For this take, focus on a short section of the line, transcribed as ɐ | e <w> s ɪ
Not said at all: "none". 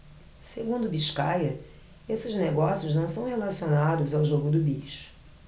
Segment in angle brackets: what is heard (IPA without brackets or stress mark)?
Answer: none